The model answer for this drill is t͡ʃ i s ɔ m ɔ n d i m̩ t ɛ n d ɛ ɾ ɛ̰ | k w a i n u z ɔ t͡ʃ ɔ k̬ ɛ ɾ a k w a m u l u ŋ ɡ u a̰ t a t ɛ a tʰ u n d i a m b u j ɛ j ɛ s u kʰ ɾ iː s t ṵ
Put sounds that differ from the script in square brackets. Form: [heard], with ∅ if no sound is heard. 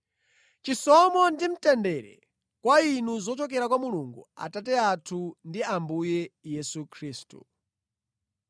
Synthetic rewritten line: t͡ʃ i s ɔ m ɔ n d i m̩ t ɛ n d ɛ ɾ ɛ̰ | k w a i n u z ɔ t͡ʃ ɔ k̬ ɛ ɾ a k w a m u l u ŋ ɡ u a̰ t a t ɛ a tʰ u n d i a m b u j ɛ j ɛ s u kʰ ɾ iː s t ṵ